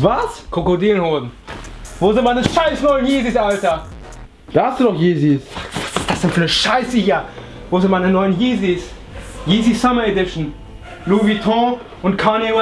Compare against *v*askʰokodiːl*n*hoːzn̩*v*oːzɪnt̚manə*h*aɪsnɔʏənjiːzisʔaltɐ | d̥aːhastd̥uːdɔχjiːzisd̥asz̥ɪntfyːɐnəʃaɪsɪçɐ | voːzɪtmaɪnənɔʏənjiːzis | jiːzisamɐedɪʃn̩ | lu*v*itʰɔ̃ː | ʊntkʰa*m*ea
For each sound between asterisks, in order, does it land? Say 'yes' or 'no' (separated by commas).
yes, yes, yes, no, yes, no